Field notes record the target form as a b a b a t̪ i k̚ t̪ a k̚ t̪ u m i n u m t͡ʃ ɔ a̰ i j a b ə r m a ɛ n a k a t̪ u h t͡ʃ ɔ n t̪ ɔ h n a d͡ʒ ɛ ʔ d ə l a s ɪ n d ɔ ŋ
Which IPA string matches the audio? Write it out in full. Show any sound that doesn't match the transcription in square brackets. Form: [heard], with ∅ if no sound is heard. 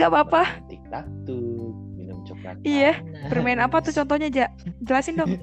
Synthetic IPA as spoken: a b a [p] a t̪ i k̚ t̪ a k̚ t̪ u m i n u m t͡ʃ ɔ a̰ i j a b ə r m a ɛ n a [p] a t̪ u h t͡ʃ ɔ n t̪ ɔ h [ɲ] a d͡ʒ [a] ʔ [d͡ʒ] ə l a s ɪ n d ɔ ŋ